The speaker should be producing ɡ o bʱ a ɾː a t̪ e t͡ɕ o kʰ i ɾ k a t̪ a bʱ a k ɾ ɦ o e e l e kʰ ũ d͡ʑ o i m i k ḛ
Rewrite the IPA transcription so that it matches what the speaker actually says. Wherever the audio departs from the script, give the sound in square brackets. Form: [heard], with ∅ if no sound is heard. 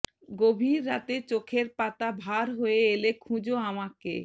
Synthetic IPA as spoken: ɡ o bʱ [i] ɾː a t̪ e t͡ɕ o kʰ [e] ɾ [p] a t̪ a bʱ a [∅] ɾ ɦ o e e l e kʰ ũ d͡ʑ o [a] m [a] k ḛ